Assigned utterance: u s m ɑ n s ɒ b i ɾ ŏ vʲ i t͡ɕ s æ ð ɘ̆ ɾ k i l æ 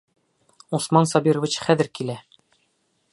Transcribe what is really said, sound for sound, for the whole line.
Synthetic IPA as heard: u s m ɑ n s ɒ b i ɾ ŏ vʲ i t͡ɕ χ æ ð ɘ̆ ɾ k i l æ